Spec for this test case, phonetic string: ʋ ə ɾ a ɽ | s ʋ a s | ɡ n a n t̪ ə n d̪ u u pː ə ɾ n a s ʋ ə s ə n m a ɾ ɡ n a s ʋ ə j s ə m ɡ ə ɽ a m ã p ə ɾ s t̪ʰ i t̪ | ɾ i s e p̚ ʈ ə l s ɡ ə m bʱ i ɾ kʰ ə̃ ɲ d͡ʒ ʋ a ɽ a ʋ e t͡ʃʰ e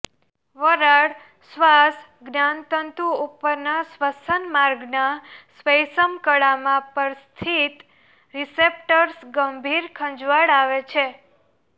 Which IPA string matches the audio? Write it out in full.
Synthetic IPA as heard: ʋ ə ɾ a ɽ | s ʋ a s | ɡ n a n t̪ ə n t̪ u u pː ə ɾ n a s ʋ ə s ə n m a ɾ ɡ n a s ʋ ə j s ə m k ə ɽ a m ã p ə ɾ s t̪ʰ i t̪ | ɾ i s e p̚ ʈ ə ɾ s ɡ ə m bʱ i ɾ kʰ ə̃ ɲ d͡ʒ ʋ a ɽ a ʋ e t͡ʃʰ e